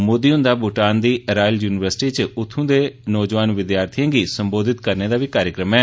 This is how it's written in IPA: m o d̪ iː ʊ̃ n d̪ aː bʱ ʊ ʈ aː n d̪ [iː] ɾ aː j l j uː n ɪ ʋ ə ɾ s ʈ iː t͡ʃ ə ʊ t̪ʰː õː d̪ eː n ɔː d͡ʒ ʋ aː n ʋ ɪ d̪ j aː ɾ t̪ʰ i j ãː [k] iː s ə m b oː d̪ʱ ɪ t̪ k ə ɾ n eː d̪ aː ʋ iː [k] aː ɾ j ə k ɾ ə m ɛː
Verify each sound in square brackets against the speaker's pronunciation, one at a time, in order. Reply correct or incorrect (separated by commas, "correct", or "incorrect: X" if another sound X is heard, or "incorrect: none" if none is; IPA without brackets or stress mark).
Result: correct, incorrect: ɡ, correct